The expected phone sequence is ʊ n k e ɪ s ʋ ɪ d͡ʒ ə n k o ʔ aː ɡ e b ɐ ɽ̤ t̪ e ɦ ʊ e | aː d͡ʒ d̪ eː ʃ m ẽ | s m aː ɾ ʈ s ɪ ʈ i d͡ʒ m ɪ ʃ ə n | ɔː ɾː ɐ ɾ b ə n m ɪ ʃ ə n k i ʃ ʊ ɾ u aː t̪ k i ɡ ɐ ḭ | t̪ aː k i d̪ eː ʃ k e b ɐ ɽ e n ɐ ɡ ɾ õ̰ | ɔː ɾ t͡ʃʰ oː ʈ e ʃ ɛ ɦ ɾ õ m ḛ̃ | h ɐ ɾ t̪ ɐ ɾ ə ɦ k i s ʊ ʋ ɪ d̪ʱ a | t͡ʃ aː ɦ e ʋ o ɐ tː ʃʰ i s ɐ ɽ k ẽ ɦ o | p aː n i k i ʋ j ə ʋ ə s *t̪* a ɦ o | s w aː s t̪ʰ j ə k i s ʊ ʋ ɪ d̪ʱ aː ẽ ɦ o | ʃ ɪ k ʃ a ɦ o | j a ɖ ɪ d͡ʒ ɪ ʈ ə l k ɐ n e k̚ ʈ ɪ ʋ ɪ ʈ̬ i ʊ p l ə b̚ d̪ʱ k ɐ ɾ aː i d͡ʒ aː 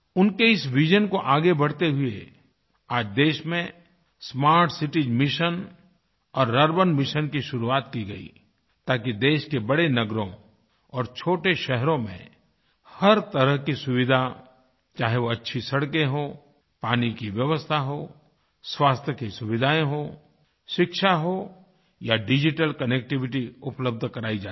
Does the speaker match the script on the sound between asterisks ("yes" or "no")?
no